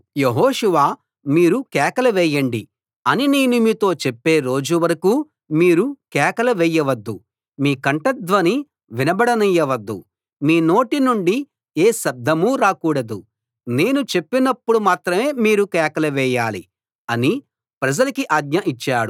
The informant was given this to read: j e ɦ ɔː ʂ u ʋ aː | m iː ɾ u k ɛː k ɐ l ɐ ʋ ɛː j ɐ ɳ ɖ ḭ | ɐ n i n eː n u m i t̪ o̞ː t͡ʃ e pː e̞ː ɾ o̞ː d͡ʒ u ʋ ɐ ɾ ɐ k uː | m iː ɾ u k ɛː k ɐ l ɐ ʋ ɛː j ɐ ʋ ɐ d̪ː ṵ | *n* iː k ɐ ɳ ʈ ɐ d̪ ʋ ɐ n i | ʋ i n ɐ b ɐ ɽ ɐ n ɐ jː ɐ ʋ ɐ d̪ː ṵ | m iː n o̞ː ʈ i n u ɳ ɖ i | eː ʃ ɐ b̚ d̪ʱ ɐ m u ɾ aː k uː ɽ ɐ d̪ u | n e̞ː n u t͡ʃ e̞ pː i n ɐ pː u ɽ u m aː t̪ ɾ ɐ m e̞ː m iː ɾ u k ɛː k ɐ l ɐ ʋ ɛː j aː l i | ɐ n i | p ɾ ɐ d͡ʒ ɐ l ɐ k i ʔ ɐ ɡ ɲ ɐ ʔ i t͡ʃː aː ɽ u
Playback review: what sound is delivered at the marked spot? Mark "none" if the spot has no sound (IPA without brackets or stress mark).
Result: m